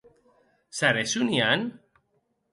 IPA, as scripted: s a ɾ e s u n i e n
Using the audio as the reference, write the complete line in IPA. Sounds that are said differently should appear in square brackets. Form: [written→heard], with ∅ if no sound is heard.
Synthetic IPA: s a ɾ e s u n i [e→a] n